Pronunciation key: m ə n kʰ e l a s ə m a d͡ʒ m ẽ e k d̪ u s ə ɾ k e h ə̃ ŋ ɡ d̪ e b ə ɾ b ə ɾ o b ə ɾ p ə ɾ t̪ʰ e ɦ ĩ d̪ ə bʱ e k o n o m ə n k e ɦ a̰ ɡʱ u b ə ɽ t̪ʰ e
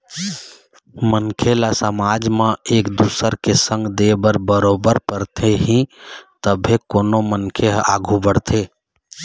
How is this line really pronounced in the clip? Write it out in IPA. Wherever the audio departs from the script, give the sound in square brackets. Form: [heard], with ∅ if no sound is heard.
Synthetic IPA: m ə n kʰ e l a s ə m a d͡ʒ m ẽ e k d̪ u s ə ɾ k e [s] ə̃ ŋ ɡ d̪ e b ə ɾ b ə ɾ o b ə ɾ p ə ɾ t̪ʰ e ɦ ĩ [t̪] ə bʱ e k o n o m ə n [kʰ] e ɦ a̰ ɡʱ u b ə ɽ t̪ʰ e